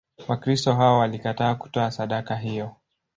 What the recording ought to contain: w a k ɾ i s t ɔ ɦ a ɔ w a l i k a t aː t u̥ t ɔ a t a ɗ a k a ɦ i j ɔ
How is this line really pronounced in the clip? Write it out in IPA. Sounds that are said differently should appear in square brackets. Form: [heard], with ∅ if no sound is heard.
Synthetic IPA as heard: w a k ɾ i s t ɔ ɦ a ɔ w a l i k a t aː [k] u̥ t ɔ a [s] a ɗ a k a ɦ i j ɔ